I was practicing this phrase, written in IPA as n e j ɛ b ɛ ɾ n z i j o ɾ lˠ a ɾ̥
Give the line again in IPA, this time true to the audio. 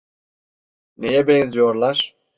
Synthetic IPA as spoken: n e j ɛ b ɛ n z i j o ɾ lˠ a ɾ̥